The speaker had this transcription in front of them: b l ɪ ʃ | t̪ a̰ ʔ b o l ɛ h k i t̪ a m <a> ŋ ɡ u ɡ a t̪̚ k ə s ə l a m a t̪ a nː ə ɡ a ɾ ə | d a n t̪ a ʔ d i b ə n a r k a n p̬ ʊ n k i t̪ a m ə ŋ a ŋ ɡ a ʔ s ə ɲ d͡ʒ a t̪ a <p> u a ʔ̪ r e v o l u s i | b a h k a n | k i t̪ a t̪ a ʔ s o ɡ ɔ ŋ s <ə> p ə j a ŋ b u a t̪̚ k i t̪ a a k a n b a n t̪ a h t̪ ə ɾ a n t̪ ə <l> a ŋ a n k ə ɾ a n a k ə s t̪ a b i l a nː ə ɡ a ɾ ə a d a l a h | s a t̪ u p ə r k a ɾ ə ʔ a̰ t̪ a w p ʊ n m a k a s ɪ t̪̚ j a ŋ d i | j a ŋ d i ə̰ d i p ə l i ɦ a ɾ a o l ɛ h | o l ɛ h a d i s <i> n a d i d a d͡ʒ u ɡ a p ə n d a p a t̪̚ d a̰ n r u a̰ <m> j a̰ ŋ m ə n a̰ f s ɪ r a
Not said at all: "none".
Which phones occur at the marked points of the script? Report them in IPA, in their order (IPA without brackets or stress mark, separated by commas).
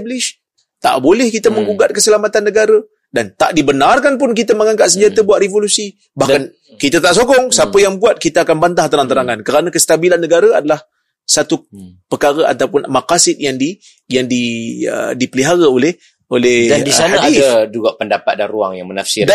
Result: ə, b, a, ɾ, a, ŋ